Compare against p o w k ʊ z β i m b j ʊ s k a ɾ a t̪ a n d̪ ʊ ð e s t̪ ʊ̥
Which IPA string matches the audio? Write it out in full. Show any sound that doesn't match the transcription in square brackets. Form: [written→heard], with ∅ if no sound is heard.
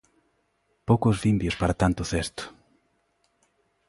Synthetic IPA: p o w k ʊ z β i m b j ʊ s [k→p] a ɾ a t̪ a n [d̪→t̪] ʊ [ð→θ] e s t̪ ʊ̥